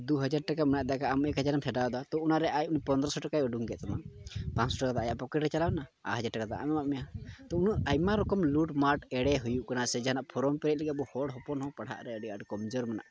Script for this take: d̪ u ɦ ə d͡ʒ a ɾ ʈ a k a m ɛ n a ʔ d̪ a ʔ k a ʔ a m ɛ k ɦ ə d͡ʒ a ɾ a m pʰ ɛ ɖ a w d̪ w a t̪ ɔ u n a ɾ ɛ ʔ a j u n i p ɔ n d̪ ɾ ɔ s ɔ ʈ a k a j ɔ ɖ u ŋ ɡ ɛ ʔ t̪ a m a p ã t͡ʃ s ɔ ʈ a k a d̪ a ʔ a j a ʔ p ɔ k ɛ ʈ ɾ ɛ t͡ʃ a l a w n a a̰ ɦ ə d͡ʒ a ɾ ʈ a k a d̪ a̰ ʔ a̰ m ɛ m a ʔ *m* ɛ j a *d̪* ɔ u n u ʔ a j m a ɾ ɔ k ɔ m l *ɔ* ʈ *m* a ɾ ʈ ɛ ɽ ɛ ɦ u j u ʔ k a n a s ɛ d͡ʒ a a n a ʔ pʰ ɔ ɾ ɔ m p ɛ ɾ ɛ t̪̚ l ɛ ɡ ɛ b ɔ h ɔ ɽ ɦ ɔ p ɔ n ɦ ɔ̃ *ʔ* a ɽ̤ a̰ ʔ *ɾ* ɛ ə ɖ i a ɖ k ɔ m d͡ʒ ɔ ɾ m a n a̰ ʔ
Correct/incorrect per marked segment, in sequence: correct, incorrect: t̪, incorrect: u, correct, incorrect: p, correct

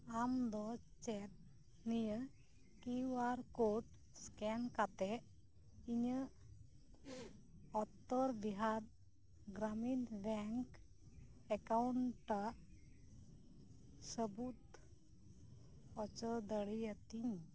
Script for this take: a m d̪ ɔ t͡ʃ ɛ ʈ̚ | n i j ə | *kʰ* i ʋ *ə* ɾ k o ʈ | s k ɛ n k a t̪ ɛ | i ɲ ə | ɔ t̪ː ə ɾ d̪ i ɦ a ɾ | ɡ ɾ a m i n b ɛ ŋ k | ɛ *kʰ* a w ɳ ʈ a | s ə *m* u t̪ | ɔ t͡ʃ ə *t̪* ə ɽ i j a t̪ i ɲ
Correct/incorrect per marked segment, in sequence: incorrect: k, incorrect: a, incorrect: k, incorrect: b, incorrect: d̪

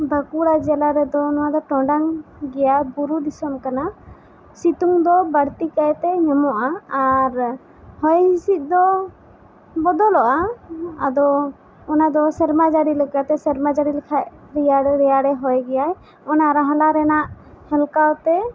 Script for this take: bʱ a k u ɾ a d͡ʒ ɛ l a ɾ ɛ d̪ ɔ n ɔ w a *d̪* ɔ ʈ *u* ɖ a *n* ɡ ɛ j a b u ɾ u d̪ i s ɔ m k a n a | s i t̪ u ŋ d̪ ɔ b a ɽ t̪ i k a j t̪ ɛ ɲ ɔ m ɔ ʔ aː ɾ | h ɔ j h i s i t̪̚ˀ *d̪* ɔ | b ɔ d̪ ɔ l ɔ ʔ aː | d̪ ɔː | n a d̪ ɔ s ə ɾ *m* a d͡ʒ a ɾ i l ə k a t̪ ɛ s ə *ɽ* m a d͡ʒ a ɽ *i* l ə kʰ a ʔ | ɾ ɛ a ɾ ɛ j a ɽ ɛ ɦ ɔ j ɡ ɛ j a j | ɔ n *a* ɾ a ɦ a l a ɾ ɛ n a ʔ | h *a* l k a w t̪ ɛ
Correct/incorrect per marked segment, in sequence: correct, incorrect: ɔ, incorrect: ŋ, correct, correct, incorrect: ɾ, correct, correct, incorrect: ɛ

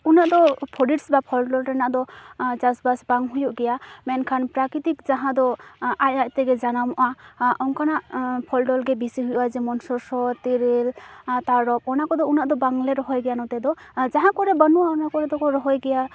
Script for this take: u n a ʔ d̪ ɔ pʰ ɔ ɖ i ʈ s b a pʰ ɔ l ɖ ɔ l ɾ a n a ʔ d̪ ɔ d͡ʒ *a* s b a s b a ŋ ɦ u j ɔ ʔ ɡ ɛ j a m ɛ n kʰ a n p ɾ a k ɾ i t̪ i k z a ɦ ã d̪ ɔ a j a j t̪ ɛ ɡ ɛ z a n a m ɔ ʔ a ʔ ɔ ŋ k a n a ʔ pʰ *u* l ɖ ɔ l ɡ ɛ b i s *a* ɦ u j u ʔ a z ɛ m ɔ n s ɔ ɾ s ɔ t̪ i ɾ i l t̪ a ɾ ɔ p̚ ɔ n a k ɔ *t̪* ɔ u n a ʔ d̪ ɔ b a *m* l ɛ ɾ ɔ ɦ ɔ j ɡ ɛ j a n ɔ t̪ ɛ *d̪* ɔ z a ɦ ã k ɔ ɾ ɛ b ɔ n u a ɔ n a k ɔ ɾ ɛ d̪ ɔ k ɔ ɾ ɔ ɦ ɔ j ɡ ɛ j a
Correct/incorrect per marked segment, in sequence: correct, incorrect: ɔ, incorrect: i, incorrect: d̪, incorrect: ŋ, correct

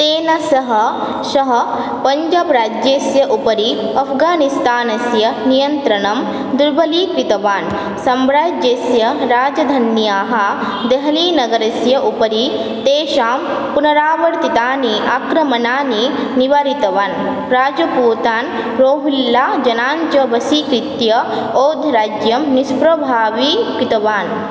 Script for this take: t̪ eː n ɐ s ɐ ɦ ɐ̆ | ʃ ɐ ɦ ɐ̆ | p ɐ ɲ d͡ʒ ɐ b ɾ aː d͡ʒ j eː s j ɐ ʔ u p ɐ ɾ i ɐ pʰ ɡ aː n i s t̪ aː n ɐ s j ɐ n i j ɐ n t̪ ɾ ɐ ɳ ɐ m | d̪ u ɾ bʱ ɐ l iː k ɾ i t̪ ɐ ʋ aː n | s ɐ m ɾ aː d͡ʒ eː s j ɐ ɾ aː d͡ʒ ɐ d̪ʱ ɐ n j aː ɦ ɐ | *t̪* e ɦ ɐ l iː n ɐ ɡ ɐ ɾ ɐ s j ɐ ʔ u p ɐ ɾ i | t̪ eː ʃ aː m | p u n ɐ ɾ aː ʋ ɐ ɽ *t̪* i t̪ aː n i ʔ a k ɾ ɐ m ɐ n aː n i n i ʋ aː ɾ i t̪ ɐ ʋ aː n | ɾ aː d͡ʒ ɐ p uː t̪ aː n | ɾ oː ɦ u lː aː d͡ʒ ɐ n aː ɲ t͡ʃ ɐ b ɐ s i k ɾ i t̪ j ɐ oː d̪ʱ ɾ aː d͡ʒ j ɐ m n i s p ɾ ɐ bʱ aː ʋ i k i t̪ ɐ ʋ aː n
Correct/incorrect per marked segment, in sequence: incorrect: d̪, correct

